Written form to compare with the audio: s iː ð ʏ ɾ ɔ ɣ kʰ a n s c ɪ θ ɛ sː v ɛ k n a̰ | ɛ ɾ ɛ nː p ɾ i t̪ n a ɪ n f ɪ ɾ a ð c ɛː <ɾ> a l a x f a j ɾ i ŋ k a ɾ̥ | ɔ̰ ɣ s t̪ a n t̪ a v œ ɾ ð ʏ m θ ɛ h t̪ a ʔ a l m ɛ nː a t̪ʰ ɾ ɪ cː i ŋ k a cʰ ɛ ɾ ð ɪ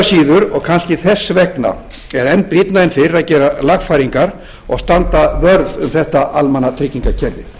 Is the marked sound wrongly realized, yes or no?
no